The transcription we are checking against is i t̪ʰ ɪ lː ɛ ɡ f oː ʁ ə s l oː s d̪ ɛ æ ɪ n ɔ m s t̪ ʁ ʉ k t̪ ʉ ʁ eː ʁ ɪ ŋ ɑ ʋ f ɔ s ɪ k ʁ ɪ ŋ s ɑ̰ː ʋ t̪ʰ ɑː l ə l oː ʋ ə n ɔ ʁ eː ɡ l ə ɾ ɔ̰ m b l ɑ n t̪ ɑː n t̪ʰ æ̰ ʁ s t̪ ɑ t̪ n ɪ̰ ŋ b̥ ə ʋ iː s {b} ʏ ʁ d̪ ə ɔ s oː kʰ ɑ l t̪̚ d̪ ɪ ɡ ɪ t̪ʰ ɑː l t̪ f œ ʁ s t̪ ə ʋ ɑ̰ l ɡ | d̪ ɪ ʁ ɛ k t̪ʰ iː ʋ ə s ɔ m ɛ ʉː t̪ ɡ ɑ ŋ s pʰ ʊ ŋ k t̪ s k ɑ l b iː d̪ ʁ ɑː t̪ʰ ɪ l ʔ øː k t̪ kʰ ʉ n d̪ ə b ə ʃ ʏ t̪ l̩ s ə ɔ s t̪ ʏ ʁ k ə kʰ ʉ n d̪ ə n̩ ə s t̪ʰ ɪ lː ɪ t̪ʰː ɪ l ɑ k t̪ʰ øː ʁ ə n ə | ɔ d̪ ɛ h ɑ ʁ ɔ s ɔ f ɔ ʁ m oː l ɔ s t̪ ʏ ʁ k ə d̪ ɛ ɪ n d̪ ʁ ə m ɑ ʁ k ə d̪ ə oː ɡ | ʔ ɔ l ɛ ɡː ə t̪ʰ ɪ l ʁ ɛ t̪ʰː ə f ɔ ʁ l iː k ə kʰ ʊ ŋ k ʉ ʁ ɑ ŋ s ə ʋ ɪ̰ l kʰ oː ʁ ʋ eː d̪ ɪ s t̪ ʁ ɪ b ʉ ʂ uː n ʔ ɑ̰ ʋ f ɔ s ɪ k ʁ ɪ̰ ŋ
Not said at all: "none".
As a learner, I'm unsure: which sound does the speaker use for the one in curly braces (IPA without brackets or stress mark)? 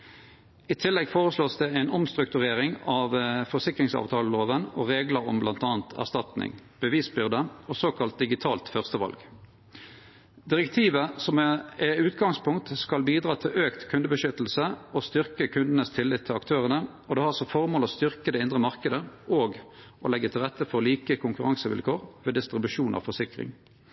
b